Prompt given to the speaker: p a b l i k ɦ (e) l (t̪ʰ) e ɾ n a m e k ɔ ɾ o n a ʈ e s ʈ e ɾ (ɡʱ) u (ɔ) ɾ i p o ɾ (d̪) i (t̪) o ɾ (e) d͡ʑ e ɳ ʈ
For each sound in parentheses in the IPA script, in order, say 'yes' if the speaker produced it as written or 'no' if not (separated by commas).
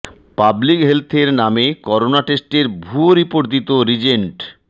yes, yes, no, no, yes, yes, no